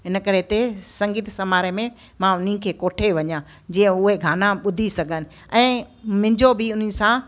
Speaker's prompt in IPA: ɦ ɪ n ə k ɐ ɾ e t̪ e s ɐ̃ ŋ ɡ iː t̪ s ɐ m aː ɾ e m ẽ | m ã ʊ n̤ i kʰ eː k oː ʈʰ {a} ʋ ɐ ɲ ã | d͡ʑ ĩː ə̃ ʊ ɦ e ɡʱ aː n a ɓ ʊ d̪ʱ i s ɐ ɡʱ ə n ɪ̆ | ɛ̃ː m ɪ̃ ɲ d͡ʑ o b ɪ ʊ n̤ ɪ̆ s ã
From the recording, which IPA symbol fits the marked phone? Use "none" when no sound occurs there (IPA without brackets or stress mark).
e